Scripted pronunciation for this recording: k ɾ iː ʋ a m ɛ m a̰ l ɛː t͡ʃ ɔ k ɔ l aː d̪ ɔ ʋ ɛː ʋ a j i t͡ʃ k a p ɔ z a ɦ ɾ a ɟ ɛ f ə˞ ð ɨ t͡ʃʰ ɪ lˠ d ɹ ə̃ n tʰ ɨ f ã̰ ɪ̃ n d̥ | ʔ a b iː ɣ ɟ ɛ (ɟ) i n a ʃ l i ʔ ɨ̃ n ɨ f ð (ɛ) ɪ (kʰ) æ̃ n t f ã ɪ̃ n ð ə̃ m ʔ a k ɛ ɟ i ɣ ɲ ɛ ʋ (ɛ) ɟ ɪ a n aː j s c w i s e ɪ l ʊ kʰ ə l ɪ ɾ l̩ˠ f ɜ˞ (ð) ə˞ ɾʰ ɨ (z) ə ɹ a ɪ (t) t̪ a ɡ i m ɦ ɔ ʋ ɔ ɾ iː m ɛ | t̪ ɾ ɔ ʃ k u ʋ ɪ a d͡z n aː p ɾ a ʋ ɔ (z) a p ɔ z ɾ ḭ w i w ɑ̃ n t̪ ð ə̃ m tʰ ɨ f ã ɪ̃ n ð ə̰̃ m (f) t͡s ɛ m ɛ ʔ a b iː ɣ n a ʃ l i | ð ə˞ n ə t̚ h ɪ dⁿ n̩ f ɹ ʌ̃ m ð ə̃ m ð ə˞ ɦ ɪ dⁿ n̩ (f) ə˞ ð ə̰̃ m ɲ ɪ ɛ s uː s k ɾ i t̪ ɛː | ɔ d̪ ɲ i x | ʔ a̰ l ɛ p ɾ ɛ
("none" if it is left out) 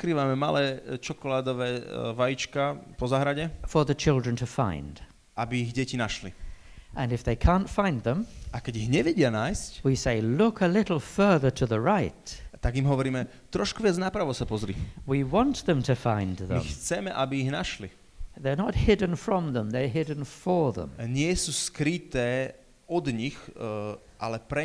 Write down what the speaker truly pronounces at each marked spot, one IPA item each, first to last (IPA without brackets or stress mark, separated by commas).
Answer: c, e, kʰ, ɛ, ð, ð, t, s, x, f